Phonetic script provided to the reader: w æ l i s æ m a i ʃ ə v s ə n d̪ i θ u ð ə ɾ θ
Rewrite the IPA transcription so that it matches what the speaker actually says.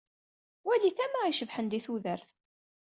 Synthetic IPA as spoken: w æ l i θ æ m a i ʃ ə v ħ ə n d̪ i θ u ð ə ɾ θ